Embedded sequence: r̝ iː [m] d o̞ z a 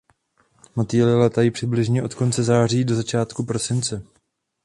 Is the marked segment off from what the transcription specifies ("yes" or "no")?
yes